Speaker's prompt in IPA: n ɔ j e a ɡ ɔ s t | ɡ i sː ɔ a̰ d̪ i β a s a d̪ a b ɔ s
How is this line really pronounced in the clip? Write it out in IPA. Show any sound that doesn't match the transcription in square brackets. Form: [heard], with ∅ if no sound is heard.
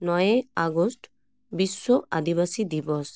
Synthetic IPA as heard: n ɔ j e a ɡ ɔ s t | [b] i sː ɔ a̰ d̪ i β a s [i] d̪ [i] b ɔ s